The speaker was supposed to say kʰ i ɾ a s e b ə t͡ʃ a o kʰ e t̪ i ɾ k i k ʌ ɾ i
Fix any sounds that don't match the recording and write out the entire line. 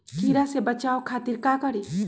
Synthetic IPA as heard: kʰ i ɾ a s e b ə t͡ʃ a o kʰ a t̪ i ɾ k a k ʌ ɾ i